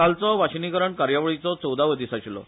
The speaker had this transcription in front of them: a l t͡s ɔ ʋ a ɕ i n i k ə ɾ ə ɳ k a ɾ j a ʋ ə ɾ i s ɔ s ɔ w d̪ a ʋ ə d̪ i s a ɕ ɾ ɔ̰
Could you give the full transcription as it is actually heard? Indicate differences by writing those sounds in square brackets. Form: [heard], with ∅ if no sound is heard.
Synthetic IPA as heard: a l t͡s ɔ ʋ a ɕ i n i k ə ɾ ə ɳ k a ɾ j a ʋ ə [ɭ] i [t͡s] ɔ [t͡s] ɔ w d̪ a ʋ ə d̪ i s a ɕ [l] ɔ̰

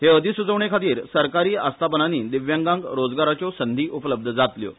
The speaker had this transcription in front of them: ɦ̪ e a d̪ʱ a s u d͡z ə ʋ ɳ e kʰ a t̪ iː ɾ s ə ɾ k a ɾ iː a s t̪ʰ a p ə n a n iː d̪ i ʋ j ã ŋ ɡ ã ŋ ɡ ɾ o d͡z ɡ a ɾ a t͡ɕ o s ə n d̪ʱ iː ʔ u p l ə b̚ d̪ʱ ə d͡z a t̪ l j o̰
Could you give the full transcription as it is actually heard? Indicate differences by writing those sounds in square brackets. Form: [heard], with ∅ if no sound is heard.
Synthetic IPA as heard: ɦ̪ e [ə] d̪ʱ [i] s u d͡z ə ʋ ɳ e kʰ a t̪ iː ɾ s ə ɾ k a ɾ iː a s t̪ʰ a p ə n a n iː d̪ i ʋ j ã ŋ ɡ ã ŋ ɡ ɾ o d͡z ɡ a ɾ a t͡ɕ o s ə n d̪ʱ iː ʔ u p l ə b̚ d̪ʱ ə d͡z a t̪ l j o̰

